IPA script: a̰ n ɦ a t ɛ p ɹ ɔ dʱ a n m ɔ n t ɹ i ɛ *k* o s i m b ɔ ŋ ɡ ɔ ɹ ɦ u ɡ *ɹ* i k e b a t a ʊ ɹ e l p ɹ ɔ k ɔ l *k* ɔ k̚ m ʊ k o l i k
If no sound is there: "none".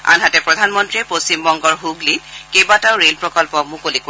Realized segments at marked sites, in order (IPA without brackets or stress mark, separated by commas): p, l, p